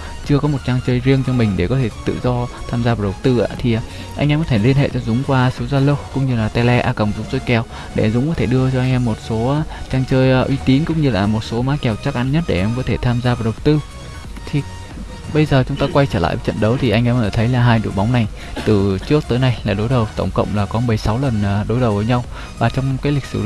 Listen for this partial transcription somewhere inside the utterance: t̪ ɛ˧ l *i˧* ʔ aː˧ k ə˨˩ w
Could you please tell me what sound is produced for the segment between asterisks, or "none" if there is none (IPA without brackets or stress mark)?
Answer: ɛ˧